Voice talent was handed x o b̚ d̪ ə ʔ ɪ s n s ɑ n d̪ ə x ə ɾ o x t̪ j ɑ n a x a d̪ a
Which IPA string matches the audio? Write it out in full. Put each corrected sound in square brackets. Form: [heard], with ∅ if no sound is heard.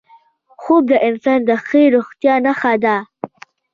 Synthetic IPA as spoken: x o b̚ d̪ ə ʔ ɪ [∅] n s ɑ n d̪ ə x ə ɾ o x t̪ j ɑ n a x a d̪ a